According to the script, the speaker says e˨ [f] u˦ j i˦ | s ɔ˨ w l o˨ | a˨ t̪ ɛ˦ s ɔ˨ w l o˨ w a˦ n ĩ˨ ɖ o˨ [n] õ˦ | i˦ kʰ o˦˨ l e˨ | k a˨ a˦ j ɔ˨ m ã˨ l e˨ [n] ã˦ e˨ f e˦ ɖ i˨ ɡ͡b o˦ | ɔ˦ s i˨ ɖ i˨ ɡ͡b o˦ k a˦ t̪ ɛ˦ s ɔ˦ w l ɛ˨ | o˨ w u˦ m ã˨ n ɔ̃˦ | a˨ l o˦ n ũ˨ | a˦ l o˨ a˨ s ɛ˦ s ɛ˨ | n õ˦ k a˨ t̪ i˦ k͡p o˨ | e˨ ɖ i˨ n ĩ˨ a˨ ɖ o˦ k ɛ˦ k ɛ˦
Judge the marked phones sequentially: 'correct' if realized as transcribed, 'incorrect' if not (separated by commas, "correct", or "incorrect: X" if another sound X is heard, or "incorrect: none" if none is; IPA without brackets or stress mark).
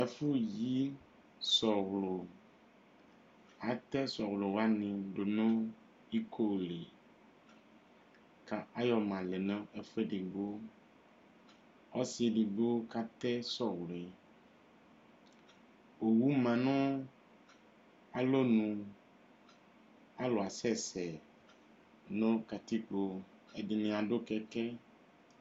correct, correct, correct